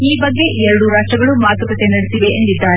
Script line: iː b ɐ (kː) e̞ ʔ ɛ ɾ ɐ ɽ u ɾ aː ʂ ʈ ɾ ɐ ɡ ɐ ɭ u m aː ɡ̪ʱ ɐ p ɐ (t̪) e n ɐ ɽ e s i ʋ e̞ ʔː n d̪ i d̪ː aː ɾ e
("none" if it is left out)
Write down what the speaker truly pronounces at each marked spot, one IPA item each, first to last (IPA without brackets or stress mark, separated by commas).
ɡː, t̪